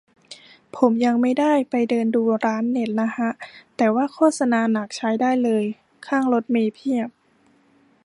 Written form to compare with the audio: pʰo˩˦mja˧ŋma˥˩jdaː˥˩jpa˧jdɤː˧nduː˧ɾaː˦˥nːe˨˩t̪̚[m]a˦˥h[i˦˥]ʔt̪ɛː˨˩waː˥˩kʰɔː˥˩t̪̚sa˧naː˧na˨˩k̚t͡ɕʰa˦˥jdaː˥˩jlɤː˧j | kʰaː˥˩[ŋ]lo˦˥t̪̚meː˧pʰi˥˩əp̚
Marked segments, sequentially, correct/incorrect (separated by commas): incorrect, incorrect, correct